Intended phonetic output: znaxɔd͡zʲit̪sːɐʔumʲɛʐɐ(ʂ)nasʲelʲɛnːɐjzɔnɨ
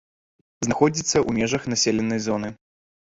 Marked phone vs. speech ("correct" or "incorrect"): incorrect